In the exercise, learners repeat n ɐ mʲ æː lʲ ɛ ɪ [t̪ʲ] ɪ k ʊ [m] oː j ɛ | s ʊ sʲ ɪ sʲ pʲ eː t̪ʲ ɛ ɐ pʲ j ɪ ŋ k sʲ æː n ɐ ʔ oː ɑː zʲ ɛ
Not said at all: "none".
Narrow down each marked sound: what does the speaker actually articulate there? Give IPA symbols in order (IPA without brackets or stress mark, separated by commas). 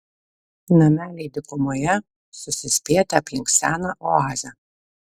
d̪ʲ, m